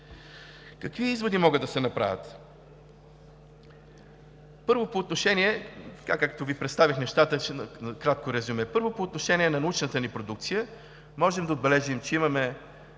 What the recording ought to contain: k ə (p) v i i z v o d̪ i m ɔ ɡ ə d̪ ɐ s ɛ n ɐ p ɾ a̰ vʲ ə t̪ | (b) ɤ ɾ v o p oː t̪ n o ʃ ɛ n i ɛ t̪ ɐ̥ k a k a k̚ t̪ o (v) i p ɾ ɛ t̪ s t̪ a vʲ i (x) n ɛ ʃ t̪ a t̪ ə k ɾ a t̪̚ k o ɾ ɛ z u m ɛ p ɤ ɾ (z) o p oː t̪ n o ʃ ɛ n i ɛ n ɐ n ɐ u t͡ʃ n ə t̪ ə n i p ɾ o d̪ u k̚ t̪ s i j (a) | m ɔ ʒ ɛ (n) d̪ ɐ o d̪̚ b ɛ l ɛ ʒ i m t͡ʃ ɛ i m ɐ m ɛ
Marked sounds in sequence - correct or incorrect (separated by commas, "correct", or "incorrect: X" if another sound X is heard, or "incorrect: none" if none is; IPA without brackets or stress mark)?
incorrect: k, incorrect: p, correct, correct, incorrect: v, incorrect: ə, incorrect: m